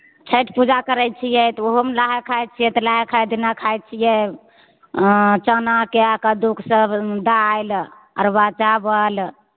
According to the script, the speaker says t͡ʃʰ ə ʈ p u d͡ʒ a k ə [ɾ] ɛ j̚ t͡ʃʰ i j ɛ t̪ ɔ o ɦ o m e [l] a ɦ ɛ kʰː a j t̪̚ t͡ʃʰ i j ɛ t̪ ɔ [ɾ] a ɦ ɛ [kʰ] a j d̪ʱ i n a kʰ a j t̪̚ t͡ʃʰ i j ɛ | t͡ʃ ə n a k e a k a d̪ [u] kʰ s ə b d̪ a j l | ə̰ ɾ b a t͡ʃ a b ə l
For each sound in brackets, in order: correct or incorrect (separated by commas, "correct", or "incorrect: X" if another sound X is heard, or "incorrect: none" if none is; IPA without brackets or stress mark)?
correct, correct, incorrect: l, correct, correct